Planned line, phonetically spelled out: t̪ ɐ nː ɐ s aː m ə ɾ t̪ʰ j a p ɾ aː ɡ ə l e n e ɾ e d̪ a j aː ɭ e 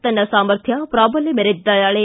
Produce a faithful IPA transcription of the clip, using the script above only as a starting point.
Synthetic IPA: t̪ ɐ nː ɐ s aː m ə ɾ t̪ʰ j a p ɾ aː b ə l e m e ɾ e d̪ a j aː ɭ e